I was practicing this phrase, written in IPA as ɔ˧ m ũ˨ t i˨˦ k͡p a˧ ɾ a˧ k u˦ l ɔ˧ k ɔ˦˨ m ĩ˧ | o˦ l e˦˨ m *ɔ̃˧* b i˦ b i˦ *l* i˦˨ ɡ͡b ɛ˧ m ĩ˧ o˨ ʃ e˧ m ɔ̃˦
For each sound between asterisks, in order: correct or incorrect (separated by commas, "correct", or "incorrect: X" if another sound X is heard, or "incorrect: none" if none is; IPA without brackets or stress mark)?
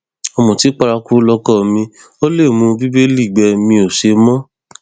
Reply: incorrect: ũ˧, correct